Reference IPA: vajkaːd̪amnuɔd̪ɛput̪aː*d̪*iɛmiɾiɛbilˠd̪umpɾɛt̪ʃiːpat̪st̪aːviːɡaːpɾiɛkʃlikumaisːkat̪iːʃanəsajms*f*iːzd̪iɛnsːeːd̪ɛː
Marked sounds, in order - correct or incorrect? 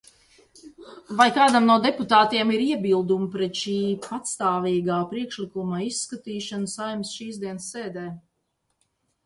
incorrect: t̪, incorrect: ʃ

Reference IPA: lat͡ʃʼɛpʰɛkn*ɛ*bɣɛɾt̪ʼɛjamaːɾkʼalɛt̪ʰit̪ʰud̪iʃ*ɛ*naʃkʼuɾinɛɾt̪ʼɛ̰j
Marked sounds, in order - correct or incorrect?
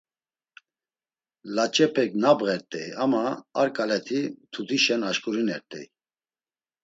incorrect: a, correct

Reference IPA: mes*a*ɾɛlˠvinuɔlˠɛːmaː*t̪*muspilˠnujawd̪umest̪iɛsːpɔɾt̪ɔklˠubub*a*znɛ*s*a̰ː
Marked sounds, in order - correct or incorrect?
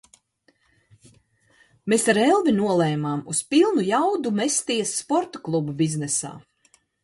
correct, incorrect: none, incorrect: i, correct

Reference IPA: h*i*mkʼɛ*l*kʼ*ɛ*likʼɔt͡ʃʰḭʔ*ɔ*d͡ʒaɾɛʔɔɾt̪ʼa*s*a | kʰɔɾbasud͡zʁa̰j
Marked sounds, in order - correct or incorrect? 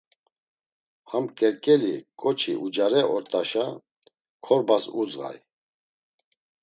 incorrect: a, incorrect: ɾ, correct, incorrect: u, incorrect: ʃ

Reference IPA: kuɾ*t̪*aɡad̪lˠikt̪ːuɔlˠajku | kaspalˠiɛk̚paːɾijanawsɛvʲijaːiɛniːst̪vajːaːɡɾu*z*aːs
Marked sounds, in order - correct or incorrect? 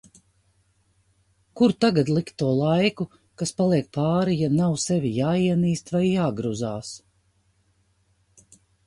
correct, correct

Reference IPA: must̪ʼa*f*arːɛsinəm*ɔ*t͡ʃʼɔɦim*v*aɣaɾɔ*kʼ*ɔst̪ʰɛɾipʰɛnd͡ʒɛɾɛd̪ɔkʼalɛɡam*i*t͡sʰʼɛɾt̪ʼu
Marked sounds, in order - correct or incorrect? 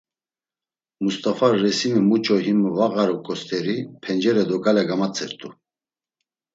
correct, incorrect: u, correct, correct, incorrect: a

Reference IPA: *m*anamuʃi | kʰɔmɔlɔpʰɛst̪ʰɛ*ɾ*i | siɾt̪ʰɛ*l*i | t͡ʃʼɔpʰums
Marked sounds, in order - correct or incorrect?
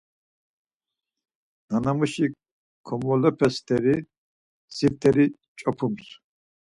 incorrect: n, correct, incorrect: ɾ

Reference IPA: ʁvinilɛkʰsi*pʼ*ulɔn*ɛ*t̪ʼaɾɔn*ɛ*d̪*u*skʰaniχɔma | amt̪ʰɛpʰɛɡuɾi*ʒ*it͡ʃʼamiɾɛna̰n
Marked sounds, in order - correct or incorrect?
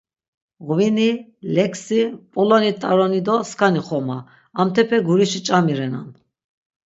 correct, incorrect: i, incorrect: i, incorrect: ɔ, incorrect: ʃ

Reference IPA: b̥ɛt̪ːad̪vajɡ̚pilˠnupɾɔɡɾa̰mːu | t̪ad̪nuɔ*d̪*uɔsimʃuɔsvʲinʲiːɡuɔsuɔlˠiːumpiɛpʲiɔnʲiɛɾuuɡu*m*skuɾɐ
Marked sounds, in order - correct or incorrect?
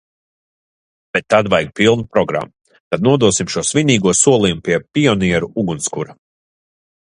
correct, incorrect: n

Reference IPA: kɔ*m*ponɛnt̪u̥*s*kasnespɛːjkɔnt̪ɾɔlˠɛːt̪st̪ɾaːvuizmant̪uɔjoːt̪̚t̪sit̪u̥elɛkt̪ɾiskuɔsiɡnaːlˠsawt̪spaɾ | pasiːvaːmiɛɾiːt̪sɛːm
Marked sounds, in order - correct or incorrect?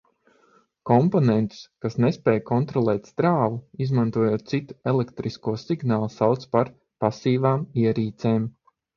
correct, correct

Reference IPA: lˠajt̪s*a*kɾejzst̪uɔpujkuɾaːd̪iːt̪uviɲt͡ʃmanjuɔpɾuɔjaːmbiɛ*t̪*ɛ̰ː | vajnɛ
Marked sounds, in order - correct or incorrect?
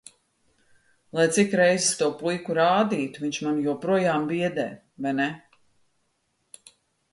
incorrect: i, incorrect: d̪

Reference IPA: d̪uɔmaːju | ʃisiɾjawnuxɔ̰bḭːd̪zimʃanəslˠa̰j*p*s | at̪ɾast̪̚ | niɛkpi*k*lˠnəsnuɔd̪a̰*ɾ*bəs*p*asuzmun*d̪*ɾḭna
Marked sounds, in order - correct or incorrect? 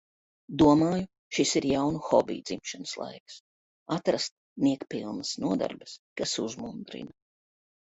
incorrect: k, incorrect: none, correct, incorrect: k, correct

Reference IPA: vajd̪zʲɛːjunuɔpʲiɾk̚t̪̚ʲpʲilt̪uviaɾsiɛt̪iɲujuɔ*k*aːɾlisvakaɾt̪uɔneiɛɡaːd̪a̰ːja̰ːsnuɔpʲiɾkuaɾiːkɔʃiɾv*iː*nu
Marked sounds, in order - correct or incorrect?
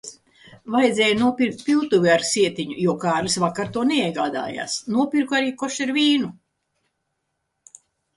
correct, correct

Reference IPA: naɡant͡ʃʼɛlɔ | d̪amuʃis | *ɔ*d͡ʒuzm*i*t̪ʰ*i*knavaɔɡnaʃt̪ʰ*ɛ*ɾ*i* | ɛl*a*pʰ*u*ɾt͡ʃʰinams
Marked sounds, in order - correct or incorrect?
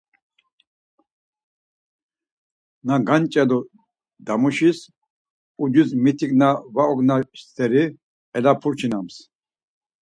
incorrect: u, correct, correct, correct, correct, correct, correct

